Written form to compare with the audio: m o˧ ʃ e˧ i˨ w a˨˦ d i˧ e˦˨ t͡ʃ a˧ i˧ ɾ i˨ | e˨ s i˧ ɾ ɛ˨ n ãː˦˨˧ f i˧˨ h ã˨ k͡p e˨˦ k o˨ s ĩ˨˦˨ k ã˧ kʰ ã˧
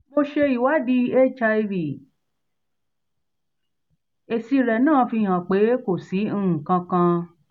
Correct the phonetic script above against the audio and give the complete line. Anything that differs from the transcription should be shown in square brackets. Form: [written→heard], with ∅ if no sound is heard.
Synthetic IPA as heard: m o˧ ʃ e˧ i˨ w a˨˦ d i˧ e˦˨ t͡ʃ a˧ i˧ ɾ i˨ | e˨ s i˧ ɾ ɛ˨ n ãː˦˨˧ f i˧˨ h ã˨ k͡p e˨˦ k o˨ s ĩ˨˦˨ k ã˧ [kʰ→k] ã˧